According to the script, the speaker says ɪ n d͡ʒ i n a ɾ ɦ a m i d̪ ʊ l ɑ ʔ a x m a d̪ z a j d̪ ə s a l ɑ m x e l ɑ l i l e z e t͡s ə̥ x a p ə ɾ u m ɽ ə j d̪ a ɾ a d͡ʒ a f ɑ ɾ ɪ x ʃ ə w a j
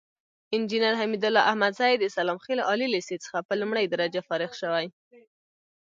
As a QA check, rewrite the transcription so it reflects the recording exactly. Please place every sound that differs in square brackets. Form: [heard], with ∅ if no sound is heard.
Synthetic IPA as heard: ɪ n d͡ʒ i n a ɾ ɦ a m i d̪ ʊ l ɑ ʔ a [h] m a d̪ z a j d̪ ə s a l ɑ m x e l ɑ l i l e [s] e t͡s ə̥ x a p ə [l] u m ɽ ə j d̪ a ɾ a d͡ʒ a f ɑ ɾ ɪ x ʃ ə w a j

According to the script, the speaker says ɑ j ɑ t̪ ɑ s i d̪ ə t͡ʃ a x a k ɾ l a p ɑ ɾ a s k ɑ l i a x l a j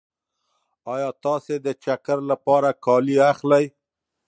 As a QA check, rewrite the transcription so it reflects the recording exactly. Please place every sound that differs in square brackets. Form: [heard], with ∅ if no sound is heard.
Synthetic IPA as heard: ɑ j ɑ t̪ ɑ s [e] d̪ ə t͡ʃ a [k] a [∅] ɾ l a p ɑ ɾ a [∅] k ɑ l i a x l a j

